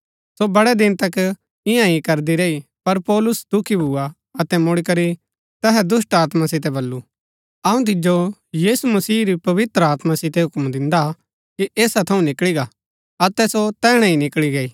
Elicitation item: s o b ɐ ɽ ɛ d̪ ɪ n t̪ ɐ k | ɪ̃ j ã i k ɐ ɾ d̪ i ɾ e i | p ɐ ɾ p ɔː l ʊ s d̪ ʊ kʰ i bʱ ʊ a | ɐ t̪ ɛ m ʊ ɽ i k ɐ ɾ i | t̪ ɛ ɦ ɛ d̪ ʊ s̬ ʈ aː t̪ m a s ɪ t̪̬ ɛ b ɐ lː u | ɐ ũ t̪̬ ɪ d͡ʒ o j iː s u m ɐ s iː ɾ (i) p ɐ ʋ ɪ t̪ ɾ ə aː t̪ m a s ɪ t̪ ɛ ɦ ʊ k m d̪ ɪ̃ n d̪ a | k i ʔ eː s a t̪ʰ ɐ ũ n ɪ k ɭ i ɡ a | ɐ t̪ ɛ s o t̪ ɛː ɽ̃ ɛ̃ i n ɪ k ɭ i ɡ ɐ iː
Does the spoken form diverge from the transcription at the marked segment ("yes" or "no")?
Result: no